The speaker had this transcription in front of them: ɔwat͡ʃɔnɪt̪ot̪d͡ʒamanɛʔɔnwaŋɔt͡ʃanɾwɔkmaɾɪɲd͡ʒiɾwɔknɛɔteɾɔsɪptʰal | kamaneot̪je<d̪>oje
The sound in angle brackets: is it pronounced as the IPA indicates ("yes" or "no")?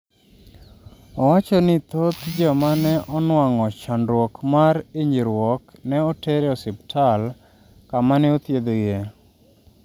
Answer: yes